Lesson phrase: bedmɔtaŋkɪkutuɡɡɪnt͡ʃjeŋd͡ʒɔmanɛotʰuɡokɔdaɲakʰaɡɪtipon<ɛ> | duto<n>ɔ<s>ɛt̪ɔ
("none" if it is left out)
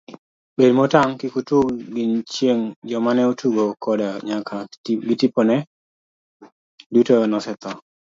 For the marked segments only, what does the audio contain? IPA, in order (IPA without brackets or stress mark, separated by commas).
ɛ, n, s